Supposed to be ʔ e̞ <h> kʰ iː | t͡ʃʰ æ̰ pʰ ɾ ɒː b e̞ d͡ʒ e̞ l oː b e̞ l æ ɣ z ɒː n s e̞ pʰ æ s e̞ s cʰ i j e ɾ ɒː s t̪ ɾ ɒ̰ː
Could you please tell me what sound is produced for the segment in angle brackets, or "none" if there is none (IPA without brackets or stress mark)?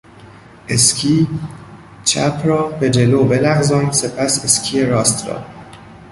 s